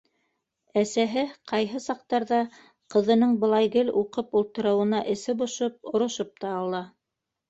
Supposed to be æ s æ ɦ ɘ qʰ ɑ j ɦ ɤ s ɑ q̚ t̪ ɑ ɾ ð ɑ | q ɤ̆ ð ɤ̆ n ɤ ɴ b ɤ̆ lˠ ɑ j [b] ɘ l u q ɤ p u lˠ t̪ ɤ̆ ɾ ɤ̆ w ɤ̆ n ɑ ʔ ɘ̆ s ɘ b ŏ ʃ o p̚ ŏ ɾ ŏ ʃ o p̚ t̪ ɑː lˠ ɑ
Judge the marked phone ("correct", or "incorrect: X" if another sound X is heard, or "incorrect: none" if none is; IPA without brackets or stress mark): incorrect: ɡ